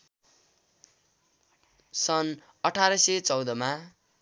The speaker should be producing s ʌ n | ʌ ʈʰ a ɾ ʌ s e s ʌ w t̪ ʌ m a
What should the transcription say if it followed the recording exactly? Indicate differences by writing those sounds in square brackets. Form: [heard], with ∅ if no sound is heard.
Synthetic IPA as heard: s ʌ n | ʌ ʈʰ a ɾ ʌ s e [t͡s] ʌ w [d̪] ʌ m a